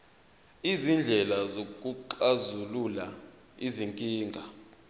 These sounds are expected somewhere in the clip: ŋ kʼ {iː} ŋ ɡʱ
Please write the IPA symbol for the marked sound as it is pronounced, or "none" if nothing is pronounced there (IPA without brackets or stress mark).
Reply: iː